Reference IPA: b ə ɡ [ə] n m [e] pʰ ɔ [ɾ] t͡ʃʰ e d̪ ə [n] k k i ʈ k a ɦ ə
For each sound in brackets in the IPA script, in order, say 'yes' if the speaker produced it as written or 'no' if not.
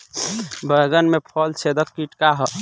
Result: yes, yes, no, no

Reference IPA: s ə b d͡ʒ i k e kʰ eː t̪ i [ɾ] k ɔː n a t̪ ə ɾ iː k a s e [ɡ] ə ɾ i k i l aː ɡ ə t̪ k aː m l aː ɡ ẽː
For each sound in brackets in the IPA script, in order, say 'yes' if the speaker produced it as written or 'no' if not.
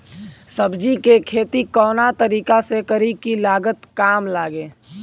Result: no, no

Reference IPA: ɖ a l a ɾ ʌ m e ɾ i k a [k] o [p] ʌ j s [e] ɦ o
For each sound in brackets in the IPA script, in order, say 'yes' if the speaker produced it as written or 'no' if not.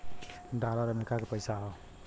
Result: yes, yes, no

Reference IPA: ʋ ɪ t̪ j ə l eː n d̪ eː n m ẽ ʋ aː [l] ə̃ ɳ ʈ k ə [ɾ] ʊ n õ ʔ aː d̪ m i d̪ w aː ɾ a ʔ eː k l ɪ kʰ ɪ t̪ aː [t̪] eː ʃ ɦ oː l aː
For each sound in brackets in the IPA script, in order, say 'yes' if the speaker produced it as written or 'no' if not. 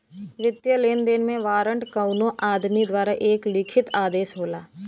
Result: no, no, no

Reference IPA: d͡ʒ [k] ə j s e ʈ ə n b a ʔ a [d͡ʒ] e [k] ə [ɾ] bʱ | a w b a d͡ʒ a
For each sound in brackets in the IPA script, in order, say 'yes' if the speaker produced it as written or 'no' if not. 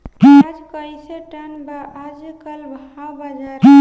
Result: yes, yes, yes, no

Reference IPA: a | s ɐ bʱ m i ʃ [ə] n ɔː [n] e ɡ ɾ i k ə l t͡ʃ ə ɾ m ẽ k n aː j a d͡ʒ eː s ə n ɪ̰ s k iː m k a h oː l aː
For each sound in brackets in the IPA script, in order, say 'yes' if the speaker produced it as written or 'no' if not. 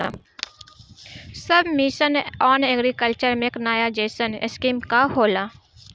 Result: yes, yes

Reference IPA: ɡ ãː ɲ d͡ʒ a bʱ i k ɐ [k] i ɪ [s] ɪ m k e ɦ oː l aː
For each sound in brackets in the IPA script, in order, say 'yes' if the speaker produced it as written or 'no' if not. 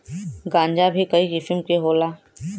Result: no, no

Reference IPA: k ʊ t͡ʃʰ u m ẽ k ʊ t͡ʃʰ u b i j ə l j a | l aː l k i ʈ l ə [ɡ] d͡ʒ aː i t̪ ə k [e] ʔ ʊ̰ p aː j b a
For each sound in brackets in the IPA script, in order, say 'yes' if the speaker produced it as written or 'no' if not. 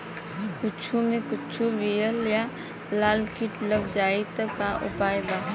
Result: yes, no

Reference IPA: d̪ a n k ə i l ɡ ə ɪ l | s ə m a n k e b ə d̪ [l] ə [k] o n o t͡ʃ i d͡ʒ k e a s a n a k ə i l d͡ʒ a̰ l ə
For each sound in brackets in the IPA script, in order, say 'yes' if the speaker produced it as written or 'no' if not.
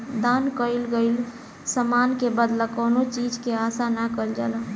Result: yes, yes

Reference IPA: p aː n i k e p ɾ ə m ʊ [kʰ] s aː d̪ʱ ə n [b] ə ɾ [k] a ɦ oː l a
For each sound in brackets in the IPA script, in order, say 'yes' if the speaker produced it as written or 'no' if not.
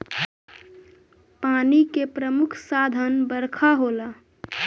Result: yes, yes, no

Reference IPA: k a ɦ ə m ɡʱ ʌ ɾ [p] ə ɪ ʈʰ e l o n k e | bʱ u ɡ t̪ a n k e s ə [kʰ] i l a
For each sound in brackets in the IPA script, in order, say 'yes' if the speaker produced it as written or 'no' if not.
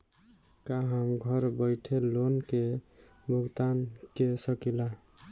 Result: no, no

